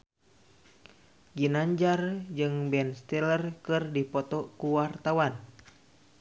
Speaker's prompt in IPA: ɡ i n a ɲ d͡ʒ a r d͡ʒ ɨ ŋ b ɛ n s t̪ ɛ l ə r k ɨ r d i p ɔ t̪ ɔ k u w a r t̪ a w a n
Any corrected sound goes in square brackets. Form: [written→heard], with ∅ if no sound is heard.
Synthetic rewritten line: ɡ i n a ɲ d͡ʒ a r d͡ʒ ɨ ŋ b ɛ n s t̪ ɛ l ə r k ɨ r d i p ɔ t̪ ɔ k u w a r t̪ a w a n